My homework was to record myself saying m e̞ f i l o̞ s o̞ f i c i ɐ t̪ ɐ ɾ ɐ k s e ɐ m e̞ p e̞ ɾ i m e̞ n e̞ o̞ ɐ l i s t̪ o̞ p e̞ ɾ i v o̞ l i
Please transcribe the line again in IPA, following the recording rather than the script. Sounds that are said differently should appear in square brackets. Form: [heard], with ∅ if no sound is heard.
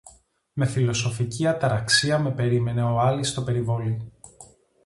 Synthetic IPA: m e̞ f i l o̞ s o̞ f i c i ɐ t̪ ɐ ɾ ɐ k s [i] ɐ m e̞ p e̞ ɾ i m e̞ n e̞ o̞ ɐ l i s t̪ o̞ p e̞ ɾ i v o̞ l i